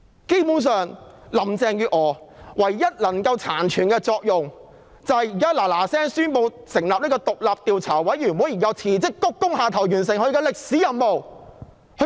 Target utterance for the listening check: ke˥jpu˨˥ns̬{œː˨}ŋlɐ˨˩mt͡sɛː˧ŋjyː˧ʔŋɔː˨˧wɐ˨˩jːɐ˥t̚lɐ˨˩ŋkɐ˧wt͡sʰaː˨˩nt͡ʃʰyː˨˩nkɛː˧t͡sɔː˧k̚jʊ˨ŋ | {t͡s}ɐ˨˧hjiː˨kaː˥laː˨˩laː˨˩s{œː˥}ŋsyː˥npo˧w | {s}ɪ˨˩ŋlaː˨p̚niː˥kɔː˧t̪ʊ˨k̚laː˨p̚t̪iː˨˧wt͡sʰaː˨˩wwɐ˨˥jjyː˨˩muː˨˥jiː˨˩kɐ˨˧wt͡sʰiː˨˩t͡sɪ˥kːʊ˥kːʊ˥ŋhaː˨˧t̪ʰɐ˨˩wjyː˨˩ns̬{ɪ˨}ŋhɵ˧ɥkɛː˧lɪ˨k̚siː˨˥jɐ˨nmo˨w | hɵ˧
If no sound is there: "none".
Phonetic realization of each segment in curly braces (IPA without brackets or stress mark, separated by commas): œː˨, t͡s, ɛː˥, s, ɪ˨